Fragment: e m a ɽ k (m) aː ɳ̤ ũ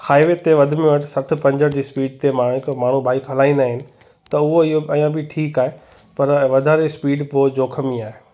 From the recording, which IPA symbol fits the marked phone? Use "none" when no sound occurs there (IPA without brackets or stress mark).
m